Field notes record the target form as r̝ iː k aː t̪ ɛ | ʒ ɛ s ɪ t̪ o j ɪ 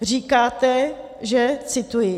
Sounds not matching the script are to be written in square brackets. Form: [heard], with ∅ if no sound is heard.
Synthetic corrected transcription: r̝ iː k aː t̪ ɛ | ʒ ɛ [t͡s] ɪ t̪ [u] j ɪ